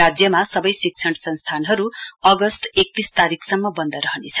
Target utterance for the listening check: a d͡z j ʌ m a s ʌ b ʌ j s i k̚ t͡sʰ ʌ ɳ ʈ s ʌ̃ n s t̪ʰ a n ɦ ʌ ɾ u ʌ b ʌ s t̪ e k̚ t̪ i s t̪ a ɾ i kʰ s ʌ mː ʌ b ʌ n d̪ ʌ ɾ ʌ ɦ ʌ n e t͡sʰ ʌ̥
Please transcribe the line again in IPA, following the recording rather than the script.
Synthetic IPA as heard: a d͡z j ʌ m a s ʌ b ʌ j s i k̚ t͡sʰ ʌ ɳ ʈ s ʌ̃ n s t̪ʰ a n ɦ ʌ ɾ u ʌ ɡ ʌ s t̪ e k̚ t̪ i s t̪ a ɾ i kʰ s ʌ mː ʌ b ʌ n d̪ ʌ ɾ ʌ ɦ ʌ n e t͡sʰ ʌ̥